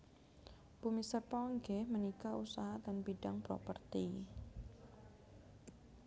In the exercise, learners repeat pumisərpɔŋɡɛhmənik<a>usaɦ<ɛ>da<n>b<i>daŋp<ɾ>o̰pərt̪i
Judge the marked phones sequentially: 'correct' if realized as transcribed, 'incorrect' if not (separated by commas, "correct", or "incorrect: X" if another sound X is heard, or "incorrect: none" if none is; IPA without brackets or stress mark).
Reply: correct, incorrect: a, correct, correct, correct